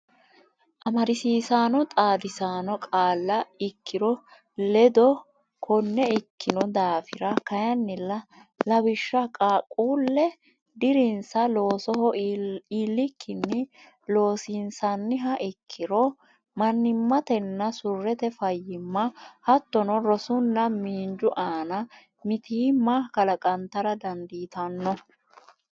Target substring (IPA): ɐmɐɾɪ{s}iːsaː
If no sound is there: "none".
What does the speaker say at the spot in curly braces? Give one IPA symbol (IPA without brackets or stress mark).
s